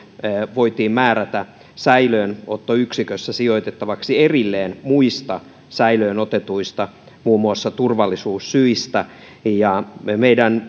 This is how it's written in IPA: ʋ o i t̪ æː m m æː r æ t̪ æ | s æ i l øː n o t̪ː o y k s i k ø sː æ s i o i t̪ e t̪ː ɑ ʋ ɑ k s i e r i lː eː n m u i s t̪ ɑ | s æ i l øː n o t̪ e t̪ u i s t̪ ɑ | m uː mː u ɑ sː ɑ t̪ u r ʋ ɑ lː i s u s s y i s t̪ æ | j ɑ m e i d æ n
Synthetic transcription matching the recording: ʋ o i t̪ iː m m æː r æ t̪ æ | s æ i l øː n o t̪ː o y k s i k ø sː æ s i o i t̪ e t̪ː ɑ ʋ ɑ k s i e r i lː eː n m u i s t̪ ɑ | s æ i l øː n o t̪ e t̪ u i s t̪ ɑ | m uː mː u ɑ sː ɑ t̪ u r ʋ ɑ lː i s uː s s y i s t̪ æ | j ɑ m e i d æ n

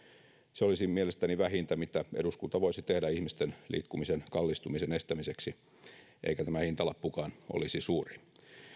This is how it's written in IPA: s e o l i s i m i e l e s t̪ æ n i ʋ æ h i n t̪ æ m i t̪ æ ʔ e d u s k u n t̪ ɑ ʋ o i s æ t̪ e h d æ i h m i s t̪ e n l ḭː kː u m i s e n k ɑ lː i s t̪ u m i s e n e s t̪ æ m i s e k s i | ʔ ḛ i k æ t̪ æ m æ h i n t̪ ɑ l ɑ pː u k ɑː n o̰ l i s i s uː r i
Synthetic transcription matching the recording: s e o l i s i m i e l e s t̪ æ n i ʋ æ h i n t̪ æ m i t̪ æ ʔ e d u s k u n t̪ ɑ ʋ o i s i t̪ e h d æ i h m i s t̪ e n l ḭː kː u m i s e n k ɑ lː i s t̪ u m i s e n e s t̪ æ m i s e k s i | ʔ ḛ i k æ t̪ æ m æ h i n t̪ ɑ l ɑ pː u k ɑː n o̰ l i s i s uː r i

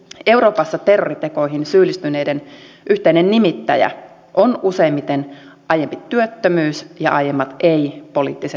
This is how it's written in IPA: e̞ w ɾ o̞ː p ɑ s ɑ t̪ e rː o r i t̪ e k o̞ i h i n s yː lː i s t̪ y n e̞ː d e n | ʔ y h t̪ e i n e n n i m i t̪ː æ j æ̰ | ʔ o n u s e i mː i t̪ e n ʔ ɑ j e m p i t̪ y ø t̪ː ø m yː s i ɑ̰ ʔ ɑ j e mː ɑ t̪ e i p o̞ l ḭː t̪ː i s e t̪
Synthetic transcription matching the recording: e̞ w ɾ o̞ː p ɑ sː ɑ t̪ e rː o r i t̪ e k o̞ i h i n s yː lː i s t̪ y n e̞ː d e n | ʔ y h t̪ e i n e n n i m i t̪ː æ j æ̰ | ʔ o n u s e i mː i t̪ e n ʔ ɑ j e m p i t̪ y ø t̪ː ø m yː s j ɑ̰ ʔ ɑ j e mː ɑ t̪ e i p o̞ l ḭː t̪ː i s e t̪

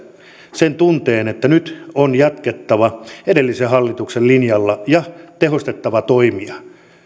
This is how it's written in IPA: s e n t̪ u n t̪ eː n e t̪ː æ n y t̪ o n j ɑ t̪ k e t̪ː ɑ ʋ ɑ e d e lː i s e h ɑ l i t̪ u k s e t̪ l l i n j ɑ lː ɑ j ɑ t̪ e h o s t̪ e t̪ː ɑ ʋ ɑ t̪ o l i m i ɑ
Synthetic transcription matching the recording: s e n t̪ u n t̪ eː n e t̪ː æ n y t̪ o n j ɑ t̪ k e t̪ː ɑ ʋ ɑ e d e lː i s e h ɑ lː i t̪ u k s e l l i n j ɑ lː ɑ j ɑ t̪ e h o s t̪ e t̪ː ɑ ʋ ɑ t̪ o i m i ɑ

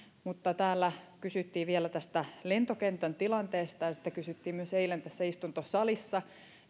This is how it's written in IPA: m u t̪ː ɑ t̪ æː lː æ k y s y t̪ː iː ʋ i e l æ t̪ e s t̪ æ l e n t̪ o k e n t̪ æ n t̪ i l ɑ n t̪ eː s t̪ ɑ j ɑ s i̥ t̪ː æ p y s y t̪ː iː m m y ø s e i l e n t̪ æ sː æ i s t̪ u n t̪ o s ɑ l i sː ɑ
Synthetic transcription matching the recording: m u t̪ː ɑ t̪ æː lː æ k y s y t̪ː iː ʋ i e l æ t̪ æ s t̪ æ l e n t̪ o k e n t̪ æ n t̪ i l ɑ n t̪ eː s t̪ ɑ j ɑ s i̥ t̪ː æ k y s y t̪ː iː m m y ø s e i l e n t̪ æ sː æ i s t̪ u n t̪ o s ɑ l i sː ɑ

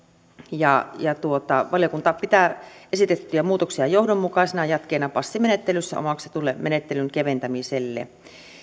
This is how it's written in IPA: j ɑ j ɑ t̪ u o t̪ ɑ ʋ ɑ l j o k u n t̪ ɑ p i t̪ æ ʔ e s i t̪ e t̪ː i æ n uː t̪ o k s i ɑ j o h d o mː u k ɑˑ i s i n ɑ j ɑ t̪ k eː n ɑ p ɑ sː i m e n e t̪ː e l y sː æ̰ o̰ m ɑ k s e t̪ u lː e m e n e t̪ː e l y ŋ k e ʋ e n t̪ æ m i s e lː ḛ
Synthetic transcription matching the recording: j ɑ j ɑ t̪ u o t̪ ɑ ʋ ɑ l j o k u n t̪ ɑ p i t̪ æ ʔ e s i t̪ e t̪ː y æ m uː t̪ o k s i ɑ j o h d o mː u k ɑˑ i s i n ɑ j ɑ t̪ k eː n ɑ p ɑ sː i m e n e t̪ː e l y sː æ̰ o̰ m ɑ k s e t̪ u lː e m e n e t̪ː e l y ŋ k e ʋ e n t̪ æ m i s e lː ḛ

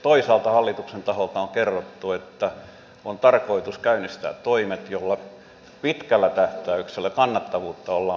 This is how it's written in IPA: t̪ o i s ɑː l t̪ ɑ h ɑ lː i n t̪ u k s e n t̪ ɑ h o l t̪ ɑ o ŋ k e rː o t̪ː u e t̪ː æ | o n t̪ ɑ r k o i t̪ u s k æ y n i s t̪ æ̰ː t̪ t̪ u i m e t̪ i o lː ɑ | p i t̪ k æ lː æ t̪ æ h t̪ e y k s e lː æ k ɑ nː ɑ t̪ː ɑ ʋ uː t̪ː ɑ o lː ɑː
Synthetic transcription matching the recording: t̪ o i s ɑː l t̪ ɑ h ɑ lː i t̪ u k s e n t̪ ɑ h o l t̪ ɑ o ŋ k e rː o t̪ː u e t̪ː æ | o n t̪ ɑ r k o i t̪ u s k æ y n i s t̪ æ̰ː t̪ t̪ o i m e t̪ j o lː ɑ | p i t̪ k æ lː æ t̪ æ h t̪ æ y k s e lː æ k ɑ nː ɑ t̪ː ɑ ʋ uː t̪ː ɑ o lː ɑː

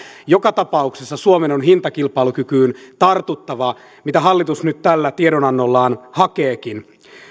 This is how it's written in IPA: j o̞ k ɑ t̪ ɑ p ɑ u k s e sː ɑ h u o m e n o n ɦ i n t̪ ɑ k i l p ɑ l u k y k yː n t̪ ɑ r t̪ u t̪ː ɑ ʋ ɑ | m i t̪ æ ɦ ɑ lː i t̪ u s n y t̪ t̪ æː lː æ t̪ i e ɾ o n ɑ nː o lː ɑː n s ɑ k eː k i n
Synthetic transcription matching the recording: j o̞ k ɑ t̪ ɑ p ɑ u k s e sː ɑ s u o m e n o n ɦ i n t̪ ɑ k i l p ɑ l u k y k yː n t̪ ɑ r t̪ u t̪ː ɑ ʋ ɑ | m i t̪ æ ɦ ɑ lː i t̪ u s n y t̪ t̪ æ lː æ t̪ i e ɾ o n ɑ nː o lː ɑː n h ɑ k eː k i n

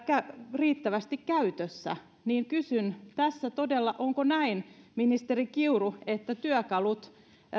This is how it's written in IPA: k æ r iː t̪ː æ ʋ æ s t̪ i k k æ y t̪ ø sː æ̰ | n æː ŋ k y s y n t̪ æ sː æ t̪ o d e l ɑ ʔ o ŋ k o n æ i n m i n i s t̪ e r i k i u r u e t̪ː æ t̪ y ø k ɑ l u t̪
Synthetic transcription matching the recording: k æ r iː t̪ː æ ʋ æ s t̪ i k k æ y t̪ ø sː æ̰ | n iː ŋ k y s y n t̪ æ sː æ t̪ o d e lː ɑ ʔ o ŋ k o n æ i n m i n i s t̪ e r i k i u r u e t̪ː æ t̪ y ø k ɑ l u t̪

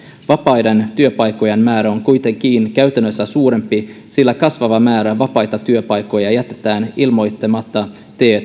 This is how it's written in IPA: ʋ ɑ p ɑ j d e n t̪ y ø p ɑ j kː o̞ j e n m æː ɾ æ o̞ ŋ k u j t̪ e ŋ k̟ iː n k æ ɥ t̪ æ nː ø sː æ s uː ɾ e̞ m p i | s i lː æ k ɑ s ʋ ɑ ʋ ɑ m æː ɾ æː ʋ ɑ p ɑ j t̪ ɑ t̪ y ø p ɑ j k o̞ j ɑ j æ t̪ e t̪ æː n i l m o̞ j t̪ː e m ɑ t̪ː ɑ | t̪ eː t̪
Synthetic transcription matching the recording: ʋ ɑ p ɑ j d e n t̪ y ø p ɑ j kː o̞ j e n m æː ɾ æ o̞ ŋ k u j t̪ e ŋ k̟ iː n k æ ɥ t̪ æ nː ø sː æ s uː ɾ e̞ m p i | s i lː æ k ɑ s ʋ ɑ ʋ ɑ m æː ɾ æ ʋ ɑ p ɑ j t̪ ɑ t̪ y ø p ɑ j k o̞ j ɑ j æ t̪ e t̪ æː n i l m o̞ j t̪ː e m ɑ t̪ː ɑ | t̪ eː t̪

